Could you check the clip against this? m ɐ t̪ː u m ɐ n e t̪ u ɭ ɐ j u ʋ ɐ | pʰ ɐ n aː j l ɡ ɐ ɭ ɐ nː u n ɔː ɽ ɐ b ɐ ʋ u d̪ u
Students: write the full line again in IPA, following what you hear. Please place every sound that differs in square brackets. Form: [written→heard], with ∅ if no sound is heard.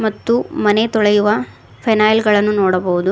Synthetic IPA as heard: m ɐ t̪ː u m ɐ n e t̪ [u→ɔ] ɭ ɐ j u ʋ ɐ | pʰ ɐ n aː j l ɡ ɐ ɭ ɐ nː u n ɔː ɽ ɐ b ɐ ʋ u d̪ u